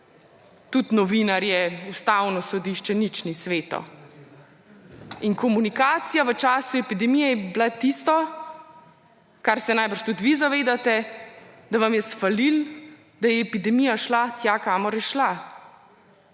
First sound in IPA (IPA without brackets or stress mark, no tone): t̪